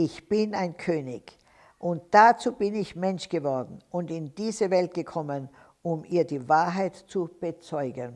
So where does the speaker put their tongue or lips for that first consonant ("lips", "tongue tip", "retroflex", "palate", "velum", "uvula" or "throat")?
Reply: palate